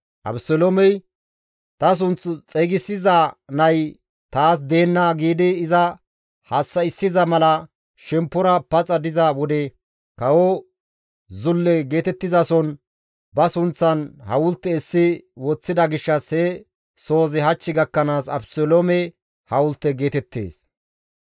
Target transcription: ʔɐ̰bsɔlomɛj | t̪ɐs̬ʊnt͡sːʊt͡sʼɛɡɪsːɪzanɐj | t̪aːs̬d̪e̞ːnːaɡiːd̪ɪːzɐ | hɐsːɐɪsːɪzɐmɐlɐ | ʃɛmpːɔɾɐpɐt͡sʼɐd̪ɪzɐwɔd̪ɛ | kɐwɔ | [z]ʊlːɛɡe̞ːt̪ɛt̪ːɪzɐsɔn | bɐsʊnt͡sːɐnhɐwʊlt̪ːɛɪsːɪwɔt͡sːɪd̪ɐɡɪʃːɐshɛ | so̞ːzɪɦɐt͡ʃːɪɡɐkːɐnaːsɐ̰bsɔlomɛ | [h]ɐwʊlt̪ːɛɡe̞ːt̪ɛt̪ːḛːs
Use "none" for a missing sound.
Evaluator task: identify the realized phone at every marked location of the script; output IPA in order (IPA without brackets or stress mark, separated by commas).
z, h